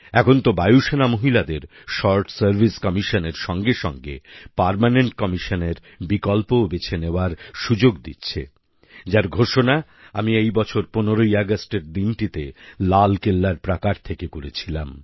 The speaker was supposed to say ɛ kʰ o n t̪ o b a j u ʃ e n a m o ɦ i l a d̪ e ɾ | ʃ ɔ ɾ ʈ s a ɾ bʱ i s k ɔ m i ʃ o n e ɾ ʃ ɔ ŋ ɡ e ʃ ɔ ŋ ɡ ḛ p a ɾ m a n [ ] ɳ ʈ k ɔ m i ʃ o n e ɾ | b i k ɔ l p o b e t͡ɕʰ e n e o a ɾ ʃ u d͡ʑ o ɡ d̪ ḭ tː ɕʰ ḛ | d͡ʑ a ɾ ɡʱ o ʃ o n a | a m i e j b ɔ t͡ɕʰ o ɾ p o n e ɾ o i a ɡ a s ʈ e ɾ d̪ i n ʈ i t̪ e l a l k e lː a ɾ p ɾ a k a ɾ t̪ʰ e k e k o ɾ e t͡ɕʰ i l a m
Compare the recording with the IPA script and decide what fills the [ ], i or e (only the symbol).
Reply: e